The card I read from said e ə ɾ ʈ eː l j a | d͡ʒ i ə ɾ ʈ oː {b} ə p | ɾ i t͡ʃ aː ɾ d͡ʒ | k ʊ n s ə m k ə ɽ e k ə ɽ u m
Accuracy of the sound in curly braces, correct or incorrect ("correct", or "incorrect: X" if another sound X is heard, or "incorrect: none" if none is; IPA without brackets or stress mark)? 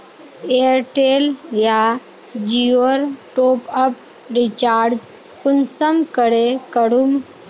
incorrect: p